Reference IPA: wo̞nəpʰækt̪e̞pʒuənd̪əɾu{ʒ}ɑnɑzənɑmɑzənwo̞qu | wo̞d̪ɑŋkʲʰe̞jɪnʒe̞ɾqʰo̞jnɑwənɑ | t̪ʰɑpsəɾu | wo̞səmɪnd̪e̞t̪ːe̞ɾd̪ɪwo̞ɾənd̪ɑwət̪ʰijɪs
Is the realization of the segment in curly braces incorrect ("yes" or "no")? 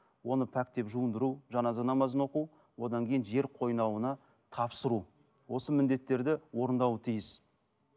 no